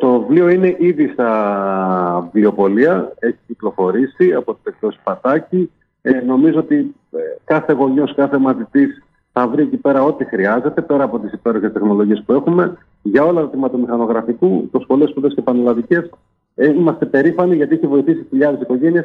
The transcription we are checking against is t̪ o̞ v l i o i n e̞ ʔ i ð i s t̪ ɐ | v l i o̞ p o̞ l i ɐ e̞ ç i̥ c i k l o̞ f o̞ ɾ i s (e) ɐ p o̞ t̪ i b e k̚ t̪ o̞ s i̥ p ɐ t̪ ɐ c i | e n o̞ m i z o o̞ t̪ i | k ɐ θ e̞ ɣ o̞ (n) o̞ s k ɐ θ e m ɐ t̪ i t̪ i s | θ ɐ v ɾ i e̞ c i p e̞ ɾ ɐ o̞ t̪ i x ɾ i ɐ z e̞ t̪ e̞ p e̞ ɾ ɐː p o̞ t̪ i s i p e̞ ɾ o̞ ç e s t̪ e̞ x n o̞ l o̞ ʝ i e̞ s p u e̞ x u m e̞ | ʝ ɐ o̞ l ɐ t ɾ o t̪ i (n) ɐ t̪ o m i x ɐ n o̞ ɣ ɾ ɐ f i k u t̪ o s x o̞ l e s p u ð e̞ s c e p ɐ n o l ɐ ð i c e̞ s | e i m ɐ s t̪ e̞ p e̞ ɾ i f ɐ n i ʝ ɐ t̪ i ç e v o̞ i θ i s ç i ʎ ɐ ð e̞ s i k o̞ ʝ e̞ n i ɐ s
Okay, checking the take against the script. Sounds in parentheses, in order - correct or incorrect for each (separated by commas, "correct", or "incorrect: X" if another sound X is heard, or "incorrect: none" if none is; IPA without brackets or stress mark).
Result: incorrect: i, incorrect: ɲ, incorrect: m